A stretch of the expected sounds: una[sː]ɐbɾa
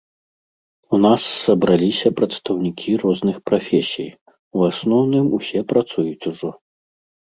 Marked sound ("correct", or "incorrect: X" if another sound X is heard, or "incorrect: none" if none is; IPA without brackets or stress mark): correct